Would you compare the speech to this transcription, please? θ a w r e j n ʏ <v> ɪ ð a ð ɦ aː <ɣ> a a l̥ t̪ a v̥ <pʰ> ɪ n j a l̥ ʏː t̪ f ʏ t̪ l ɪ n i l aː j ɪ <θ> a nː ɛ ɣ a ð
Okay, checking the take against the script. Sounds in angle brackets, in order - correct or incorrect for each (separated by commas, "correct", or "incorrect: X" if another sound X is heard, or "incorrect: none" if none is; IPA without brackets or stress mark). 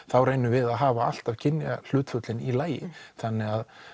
correct, incorrect: v, incorrect: cʰ, correct